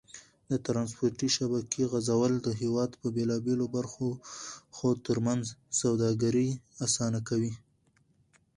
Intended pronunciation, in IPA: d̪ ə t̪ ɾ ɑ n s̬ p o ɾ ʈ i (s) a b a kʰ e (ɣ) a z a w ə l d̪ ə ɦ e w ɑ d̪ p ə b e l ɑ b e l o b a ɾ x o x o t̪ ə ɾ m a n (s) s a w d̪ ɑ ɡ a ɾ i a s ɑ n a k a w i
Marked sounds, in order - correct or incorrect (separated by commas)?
incorrect, correct, incorrect